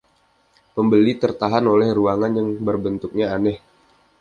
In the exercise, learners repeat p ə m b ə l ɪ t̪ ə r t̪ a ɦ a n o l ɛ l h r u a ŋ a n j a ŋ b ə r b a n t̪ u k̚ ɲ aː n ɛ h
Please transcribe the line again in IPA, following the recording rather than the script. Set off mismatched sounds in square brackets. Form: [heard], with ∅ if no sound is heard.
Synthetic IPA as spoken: p ə m b ə l [i] t̪ ə r t̪ a ɦ a n o l ɛ [∅] h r u a ŋ a n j a ŋ b ə r b [ə] n t̪ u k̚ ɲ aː n ɛ h